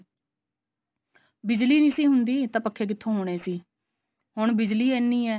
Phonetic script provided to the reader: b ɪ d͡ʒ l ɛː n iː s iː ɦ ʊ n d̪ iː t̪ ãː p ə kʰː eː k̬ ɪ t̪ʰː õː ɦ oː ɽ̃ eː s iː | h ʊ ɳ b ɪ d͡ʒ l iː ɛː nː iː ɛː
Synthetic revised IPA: b ɪ d͡ʒ l iː n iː s iː ɦ ʊ n d̪ iː t̪ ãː p ə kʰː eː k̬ ɪ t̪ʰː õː ɦ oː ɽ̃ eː s iː | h ʊ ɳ b ɪ d͡ʒ l iː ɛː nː iː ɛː